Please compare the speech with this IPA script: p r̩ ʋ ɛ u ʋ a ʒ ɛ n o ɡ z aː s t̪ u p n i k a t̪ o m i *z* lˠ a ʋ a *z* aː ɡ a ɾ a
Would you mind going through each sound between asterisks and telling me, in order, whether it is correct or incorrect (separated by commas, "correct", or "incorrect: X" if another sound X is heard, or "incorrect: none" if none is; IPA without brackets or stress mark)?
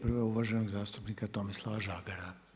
incorrect: s, incorrect: ʒ